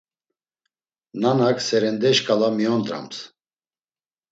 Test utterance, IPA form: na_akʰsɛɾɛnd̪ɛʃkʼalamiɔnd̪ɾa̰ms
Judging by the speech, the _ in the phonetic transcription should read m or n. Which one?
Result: n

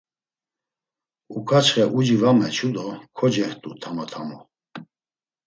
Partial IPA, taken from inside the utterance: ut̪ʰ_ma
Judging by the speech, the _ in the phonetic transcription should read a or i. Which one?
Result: a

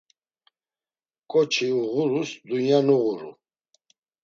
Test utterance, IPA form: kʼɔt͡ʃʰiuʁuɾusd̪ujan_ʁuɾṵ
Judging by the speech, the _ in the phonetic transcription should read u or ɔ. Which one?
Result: u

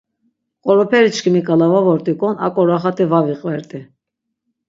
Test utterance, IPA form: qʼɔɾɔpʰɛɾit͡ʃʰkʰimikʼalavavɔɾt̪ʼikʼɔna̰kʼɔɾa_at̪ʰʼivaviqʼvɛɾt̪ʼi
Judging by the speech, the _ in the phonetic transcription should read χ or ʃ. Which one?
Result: χ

